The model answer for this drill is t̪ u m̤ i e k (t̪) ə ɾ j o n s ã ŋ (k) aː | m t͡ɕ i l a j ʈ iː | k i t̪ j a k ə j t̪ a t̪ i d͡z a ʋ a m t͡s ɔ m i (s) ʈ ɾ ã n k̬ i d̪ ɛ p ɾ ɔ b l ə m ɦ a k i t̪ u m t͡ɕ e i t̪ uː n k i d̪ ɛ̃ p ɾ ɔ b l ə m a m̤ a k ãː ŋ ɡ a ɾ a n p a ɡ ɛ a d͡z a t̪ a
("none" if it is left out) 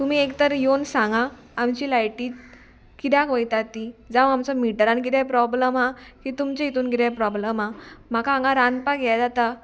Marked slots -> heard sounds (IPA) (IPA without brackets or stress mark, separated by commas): t̪, ɡ, none